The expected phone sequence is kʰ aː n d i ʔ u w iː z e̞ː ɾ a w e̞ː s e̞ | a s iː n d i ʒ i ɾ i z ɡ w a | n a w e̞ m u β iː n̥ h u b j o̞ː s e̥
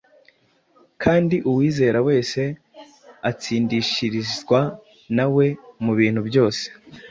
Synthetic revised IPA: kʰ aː n d i ʔ u w iː z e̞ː ɾ a w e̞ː s e̞ | a t͡s iː n d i ʃ i ɾ i z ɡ w a | n a w e̞ m u β iː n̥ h u b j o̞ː s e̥